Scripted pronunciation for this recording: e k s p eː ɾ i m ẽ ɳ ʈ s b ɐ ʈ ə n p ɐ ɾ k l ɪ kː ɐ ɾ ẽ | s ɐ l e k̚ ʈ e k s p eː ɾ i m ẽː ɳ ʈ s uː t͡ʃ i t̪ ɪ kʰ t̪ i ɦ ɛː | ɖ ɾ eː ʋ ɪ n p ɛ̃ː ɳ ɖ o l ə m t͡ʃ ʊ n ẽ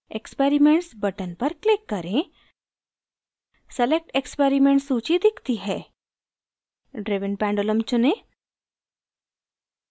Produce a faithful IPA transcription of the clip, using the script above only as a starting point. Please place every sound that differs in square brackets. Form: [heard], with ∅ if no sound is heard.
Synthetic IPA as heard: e k s p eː ɾ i m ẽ ɳ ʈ s b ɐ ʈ ə n p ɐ ɾ k l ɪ kː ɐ ɾ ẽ | s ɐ l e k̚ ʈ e k s p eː ɾ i m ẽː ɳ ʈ s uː t͡ʃ i [d̪] ɪ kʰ t̪ i ɦ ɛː | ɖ ɾ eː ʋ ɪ n p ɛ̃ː ɳ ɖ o l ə m t͡ʃ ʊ n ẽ